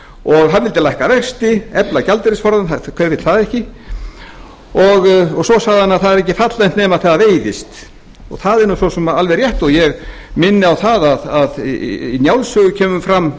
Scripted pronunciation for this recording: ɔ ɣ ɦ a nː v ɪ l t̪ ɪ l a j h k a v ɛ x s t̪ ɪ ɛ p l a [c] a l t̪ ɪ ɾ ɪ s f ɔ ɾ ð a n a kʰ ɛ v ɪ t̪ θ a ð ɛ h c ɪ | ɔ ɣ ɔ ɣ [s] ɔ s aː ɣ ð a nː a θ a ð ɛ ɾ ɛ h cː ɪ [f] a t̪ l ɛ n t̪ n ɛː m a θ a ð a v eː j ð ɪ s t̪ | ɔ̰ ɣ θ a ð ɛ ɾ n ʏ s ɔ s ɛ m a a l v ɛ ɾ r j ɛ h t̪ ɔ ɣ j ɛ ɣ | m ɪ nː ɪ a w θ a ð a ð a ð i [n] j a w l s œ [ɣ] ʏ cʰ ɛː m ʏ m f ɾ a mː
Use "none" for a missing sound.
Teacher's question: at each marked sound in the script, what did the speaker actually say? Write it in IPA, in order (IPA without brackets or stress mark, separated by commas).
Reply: c, s, f, n, ɣ